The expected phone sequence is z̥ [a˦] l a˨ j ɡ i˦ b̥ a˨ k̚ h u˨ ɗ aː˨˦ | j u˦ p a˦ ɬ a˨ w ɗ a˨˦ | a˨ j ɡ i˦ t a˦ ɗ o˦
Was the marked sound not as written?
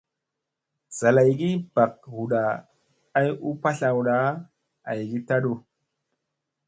yes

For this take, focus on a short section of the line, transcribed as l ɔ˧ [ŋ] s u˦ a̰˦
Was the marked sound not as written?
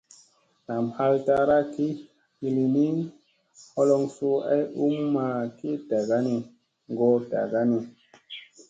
no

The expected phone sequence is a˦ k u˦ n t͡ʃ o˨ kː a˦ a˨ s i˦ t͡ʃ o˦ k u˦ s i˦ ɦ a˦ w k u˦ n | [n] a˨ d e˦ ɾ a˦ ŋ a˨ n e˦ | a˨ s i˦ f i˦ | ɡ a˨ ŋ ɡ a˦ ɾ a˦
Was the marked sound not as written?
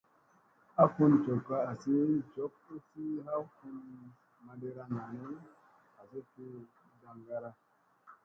yes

